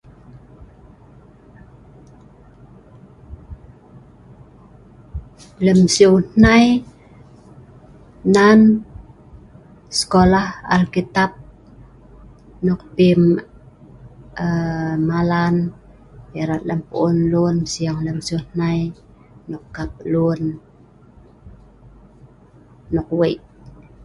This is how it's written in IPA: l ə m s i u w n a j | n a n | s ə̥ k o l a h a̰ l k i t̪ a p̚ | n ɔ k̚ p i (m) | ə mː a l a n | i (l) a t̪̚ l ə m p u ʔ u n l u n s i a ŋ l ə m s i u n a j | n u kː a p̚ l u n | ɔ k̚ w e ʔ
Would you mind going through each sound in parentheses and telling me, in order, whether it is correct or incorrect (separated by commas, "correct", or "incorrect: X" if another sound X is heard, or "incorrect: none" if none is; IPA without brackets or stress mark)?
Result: correct, incorrect: ɾ